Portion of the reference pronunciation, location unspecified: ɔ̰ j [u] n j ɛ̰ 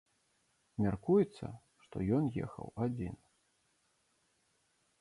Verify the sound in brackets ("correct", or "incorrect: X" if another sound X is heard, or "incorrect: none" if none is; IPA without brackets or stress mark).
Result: incorrect: ɔ